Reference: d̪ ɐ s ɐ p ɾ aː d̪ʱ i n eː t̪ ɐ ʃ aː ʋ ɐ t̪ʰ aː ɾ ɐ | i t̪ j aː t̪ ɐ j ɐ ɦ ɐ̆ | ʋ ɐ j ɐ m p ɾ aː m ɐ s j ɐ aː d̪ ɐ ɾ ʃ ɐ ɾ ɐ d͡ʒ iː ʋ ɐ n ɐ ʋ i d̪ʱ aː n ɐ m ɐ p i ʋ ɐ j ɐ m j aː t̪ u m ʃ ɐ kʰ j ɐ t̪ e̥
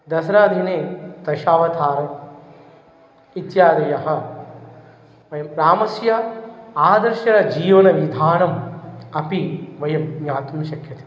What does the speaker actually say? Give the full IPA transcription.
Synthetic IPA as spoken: d̪ ɐ s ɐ ɾ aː d̪ʱ i n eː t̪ ɐ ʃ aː ʋ ɐ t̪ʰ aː ɾ ɐ | i t̪ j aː d̪ ɐ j ɐ ɦ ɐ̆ | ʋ ɐ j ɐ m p ɾ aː m ɐ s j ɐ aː d̪ ɐ ɾ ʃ ɐ ɾ ɐ d͡ʒ iː ʋ ɐ n ɐ ʋ i d̪ʱ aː n ɐ m ɐ p i ʋ ɐ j ɐ m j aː t̪ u m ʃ ɐ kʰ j ɐ t̪ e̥